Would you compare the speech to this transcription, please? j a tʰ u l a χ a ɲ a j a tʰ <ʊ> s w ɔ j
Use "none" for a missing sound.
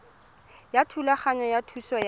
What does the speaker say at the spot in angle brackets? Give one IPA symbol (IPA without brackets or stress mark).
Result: u